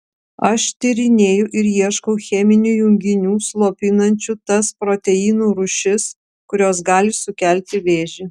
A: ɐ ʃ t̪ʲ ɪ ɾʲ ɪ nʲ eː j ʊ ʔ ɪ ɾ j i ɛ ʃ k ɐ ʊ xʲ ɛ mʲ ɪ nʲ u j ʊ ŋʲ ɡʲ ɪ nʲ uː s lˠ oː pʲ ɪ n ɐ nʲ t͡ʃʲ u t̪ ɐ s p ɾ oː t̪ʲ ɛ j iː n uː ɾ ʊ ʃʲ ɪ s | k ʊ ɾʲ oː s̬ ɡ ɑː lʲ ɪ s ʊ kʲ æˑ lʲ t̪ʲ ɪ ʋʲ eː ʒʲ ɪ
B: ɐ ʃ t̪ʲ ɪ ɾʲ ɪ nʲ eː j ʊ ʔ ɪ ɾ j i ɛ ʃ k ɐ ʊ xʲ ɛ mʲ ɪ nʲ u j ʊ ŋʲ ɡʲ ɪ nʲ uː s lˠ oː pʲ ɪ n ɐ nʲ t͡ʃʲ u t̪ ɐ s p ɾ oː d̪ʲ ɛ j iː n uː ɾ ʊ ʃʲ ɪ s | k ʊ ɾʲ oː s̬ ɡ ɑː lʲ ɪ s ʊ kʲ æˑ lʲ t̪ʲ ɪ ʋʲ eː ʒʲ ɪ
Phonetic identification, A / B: A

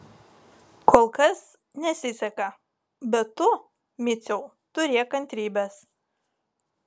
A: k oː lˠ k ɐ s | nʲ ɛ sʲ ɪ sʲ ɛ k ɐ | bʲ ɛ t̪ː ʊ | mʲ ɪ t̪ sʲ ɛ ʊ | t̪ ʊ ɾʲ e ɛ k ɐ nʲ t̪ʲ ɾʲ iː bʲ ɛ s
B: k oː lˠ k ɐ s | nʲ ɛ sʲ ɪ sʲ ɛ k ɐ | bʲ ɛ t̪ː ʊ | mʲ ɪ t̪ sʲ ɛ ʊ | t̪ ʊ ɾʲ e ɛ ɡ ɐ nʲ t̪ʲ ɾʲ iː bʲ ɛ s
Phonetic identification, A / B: A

